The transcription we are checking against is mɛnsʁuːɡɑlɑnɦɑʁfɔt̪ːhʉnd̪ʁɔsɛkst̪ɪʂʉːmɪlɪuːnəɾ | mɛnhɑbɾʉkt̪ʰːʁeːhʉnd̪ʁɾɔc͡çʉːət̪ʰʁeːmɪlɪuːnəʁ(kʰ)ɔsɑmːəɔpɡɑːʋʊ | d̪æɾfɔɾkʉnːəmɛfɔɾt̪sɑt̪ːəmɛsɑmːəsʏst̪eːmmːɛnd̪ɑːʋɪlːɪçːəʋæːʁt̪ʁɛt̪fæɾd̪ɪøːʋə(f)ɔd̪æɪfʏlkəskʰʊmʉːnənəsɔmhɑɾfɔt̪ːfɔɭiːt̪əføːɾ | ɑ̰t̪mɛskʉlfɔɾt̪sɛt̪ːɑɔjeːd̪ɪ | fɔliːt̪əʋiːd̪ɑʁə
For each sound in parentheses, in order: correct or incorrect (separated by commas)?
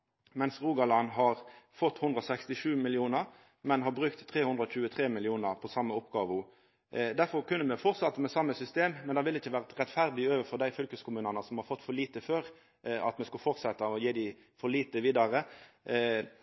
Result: incorrect, correct